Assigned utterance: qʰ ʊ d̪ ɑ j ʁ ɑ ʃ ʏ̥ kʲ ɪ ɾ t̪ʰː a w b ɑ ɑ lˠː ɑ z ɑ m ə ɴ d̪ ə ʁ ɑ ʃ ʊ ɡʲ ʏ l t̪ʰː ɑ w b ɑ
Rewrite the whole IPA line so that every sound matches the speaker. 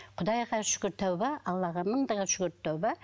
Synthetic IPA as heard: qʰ ʊ d̪ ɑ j ʁ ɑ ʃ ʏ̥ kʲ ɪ ɾ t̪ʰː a w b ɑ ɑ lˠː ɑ ʁ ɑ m ə ɴ d̪ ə ʁ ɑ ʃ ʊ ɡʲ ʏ ɾ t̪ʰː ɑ w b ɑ